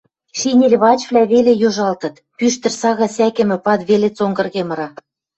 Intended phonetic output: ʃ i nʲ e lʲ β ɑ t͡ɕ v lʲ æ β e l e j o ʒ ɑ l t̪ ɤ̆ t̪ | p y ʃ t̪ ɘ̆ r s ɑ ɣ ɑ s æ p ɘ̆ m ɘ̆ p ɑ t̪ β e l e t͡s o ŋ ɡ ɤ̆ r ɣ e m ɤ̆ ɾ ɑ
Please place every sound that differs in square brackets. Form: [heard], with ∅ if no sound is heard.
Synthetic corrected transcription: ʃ i nʲ e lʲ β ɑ t͡ɕ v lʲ æ β e l e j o ʒ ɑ l t̪ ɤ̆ t̪ | p y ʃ t̪ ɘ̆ r s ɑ ɣ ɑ s æ [k] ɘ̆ m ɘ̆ p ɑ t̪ β e l e t͡s o ŋ ɡ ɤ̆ r ɣ e m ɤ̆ ɾ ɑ